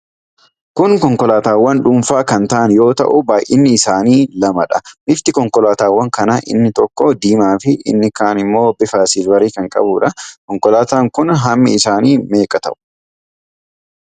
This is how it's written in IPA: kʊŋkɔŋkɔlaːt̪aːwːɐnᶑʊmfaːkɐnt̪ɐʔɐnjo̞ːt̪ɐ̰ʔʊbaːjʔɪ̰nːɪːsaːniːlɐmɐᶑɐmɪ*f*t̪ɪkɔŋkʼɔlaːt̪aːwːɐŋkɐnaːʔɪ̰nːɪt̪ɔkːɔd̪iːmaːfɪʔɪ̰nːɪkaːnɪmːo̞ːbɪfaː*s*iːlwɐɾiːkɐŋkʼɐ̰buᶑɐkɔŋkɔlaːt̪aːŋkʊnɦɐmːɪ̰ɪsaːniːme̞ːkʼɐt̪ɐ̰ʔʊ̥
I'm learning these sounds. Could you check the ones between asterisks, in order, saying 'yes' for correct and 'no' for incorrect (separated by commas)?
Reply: yes, yes